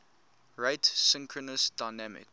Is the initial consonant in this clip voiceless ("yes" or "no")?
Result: no